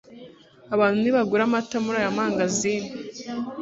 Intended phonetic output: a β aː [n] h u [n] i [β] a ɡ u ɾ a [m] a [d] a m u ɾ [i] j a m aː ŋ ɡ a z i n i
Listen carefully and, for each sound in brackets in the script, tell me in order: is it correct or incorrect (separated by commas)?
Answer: correct, correct, correct, correct, incorrect, incorrect